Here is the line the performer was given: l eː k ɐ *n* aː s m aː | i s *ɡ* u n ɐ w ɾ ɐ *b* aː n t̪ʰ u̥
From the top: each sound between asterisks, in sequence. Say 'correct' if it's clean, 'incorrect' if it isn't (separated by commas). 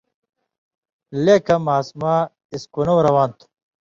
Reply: incorrect, incorrect, incorrect